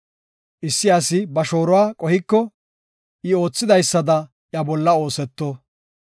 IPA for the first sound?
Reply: ʔ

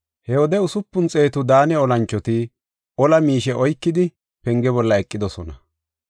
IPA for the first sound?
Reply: h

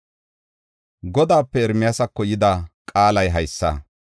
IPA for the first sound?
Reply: ɡ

